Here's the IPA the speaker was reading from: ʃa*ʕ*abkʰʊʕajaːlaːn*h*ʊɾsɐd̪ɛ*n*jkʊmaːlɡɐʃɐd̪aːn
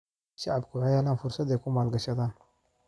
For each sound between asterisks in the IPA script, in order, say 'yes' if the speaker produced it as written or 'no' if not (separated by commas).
yes, no, no